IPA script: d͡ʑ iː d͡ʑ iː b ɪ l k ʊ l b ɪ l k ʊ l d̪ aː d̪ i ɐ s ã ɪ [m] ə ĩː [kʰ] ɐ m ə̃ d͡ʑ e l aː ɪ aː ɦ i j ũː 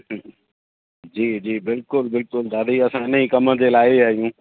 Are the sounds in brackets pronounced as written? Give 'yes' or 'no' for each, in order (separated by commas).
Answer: no, no